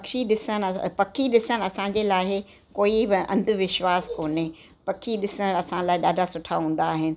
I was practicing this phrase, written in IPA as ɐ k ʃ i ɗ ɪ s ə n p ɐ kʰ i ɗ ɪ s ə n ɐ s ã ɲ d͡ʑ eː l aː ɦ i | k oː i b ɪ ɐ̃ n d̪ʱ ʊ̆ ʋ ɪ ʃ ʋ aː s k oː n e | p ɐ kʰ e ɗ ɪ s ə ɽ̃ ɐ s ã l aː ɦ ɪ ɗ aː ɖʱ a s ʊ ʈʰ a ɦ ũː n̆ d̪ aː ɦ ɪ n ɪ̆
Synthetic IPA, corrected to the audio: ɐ k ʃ i ɗ ɪ s ə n p ɐ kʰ i ɗ ɪ s ə n ɐ s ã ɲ d͡ʑ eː l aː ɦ ɪ | k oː i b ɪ ɐ̃ n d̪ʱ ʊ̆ ʋ ɪ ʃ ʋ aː s k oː n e | p ɐ kʰ i ɗ ɪ s ə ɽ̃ ɐ s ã l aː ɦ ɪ ɗ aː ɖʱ a s ʊ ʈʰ a ɦ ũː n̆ d̪ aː ɦ ɪ n ɪ̆